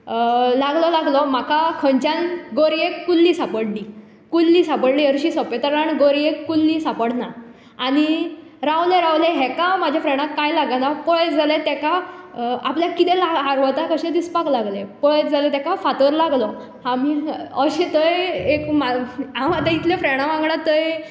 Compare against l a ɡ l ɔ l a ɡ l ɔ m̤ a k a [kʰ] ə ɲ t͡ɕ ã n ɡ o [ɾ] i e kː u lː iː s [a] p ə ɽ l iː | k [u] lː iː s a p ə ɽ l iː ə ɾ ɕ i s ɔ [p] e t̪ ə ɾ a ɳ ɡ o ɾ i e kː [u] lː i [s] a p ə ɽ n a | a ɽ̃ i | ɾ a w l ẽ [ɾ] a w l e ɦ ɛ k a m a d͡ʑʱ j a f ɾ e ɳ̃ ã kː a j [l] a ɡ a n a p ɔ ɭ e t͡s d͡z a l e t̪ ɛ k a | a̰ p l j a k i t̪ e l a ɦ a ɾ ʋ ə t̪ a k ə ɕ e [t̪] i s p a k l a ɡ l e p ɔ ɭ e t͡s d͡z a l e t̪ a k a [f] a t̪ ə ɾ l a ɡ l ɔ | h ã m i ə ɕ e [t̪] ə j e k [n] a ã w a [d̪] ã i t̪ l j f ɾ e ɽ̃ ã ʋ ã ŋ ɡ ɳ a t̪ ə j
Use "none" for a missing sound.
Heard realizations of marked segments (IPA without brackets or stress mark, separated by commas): kʰ, ɾ, a, u, p, u, s, ɾ, l, d̪, f, t̪, m, t̪